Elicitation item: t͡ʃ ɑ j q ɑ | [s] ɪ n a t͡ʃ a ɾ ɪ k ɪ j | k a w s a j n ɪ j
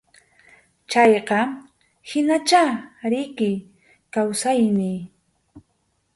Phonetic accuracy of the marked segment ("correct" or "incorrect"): incorrect